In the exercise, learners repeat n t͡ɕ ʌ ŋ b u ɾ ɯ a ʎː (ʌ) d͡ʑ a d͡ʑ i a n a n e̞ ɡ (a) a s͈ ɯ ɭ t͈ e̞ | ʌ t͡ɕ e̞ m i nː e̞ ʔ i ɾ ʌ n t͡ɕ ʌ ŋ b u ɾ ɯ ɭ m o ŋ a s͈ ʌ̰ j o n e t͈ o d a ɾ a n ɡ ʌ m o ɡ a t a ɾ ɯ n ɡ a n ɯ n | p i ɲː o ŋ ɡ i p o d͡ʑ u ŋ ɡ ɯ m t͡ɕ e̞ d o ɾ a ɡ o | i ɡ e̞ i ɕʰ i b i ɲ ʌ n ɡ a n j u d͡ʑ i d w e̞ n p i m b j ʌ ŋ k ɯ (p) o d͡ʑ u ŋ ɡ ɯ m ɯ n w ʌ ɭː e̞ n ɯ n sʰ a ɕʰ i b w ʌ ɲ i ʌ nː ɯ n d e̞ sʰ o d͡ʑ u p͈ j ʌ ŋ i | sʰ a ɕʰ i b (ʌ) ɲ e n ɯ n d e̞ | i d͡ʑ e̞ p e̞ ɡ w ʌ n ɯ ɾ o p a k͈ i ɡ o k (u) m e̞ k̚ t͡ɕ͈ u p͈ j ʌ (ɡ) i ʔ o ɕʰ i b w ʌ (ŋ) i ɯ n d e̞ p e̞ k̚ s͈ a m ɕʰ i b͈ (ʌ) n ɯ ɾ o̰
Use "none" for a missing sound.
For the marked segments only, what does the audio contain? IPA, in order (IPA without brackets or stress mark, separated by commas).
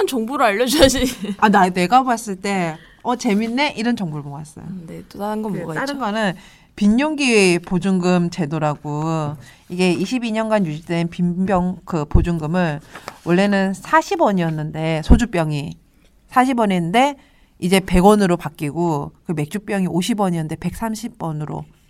ʌ, a, p, ʌ, ɯ, ŋ, ɲ, ʌ